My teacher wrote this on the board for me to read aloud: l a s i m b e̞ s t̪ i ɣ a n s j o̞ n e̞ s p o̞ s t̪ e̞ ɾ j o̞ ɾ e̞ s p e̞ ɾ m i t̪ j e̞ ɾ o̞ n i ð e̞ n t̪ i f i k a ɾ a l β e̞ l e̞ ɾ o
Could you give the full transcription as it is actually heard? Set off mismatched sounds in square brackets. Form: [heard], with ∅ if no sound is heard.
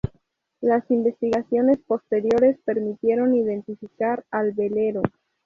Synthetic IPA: l a s i m b e̞ s t̪ i ɣ a [∅] s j o̞ n e̞ s p o̞ s t̪ e̞ ɾ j o̞ ɾ e̞ s p e̞ ɾ m i t̪ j e̞ ɾ o̞ n i ð e̞ n t̪ i f i k a ɾ a l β e̞ l e̞ ɾ o